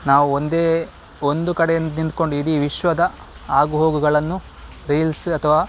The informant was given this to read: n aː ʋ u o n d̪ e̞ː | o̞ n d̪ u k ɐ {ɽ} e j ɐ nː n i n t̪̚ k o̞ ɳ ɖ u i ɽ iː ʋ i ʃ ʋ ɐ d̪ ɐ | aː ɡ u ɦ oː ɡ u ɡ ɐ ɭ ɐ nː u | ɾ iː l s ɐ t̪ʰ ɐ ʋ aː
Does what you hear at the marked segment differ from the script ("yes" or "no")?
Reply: no